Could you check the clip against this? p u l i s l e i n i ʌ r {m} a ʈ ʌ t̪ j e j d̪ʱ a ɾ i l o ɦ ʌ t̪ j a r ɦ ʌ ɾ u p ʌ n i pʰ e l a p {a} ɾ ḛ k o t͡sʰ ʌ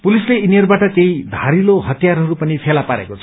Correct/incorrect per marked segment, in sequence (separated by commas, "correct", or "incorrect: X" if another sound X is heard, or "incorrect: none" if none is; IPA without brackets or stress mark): incorrect: b, correct